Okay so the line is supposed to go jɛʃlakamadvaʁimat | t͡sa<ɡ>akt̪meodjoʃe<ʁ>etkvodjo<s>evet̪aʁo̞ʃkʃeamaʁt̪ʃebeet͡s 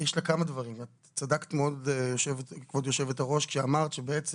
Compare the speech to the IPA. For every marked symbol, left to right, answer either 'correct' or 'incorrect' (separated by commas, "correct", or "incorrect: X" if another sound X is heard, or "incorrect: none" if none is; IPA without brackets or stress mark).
incorrect: d, incorrect: v, incorrect: ʃ